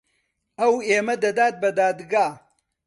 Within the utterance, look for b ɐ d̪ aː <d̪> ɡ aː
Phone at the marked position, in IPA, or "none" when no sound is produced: d̪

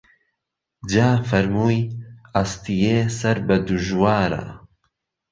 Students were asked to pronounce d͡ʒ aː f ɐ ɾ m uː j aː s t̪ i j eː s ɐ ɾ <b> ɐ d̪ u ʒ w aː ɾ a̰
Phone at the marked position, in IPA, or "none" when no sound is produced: b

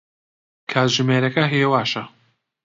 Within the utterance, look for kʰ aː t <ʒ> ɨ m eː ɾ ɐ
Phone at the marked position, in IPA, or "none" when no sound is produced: ʒ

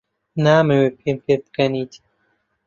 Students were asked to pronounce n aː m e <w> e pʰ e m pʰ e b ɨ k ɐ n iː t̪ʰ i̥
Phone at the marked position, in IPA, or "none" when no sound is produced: w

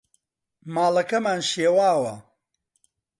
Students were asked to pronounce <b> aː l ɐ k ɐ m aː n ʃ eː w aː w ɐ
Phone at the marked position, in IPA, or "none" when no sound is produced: m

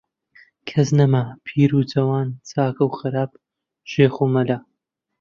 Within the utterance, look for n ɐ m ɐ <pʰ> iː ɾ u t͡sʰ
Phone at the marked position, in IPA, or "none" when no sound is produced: pʰ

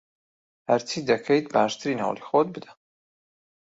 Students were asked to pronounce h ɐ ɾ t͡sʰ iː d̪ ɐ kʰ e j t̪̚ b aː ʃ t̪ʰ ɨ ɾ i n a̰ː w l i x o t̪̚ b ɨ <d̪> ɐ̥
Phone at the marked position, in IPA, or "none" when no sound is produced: d̪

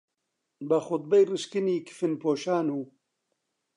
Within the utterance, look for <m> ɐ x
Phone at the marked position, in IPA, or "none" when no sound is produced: b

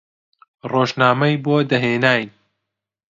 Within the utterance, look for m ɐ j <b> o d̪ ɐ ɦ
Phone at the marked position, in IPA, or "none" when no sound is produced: b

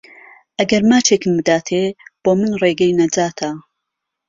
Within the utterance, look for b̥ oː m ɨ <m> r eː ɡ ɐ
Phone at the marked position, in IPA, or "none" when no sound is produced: n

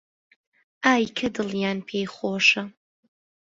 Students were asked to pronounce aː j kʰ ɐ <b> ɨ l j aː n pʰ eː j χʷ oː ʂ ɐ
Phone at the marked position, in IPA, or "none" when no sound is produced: d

